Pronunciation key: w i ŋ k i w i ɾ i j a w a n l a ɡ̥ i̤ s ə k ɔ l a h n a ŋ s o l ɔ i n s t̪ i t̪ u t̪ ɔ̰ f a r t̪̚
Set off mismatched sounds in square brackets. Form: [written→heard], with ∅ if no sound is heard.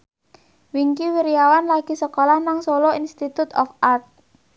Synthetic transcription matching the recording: w i ŋ k i w i ɾ i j a w a n l a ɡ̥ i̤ s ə k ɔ l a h n a ŋ s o l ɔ i n s t̪ i t̪ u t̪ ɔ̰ f a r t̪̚